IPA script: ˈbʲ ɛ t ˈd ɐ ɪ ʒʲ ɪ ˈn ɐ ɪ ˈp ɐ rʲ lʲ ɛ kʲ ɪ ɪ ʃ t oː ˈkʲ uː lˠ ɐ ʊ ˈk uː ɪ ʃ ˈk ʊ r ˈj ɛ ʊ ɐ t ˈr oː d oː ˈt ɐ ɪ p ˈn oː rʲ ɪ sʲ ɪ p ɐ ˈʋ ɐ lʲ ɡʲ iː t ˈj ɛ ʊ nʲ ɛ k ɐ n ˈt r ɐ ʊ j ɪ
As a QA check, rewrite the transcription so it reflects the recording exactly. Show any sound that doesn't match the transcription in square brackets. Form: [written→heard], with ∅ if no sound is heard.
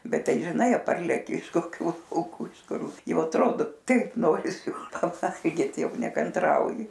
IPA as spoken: ˈbʲ ɛ t [ˈd→ˈt] ɐ ɪ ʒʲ ɪ ˈn ɐ ɪ ˈp ɐ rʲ lʲ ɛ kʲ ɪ ɪ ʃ [t→k] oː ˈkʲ uː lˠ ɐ ʊ ˈk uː ɪ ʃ ˈk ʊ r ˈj ɛ ʊ ɐ t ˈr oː d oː ˈt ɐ ɪ p ˈn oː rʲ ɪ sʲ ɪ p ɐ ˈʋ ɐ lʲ ɡʲ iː t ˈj ɛ ʊ nʲ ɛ k ɐ n ˈt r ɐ ʊ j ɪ